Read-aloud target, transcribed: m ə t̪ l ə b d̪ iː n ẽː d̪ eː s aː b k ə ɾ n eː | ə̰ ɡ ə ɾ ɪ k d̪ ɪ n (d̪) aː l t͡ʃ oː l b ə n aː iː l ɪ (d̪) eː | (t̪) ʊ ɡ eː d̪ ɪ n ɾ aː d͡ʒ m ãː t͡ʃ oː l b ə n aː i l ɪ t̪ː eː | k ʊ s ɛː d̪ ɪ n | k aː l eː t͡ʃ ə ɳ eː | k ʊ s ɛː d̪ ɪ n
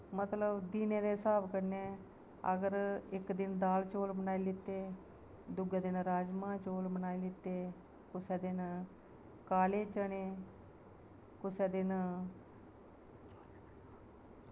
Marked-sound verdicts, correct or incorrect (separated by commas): correct, incorrect, incorrect